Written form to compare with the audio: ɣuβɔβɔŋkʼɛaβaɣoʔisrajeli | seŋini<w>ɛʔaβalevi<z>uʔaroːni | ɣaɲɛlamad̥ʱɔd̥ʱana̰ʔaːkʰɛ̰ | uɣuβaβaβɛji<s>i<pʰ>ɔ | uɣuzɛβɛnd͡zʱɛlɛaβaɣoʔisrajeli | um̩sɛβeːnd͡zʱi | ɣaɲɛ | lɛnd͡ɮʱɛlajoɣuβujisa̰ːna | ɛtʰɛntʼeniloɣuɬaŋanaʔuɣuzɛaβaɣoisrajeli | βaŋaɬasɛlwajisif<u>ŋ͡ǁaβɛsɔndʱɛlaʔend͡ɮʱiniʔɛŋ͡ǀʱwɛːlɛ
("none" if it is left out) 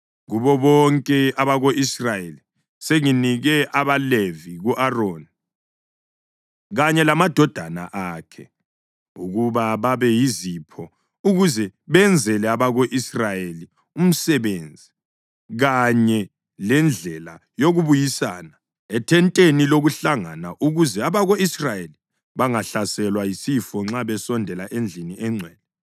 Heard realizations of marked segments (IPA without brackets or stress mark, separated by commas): ɣ, ɣ, z, pʰ, ɔ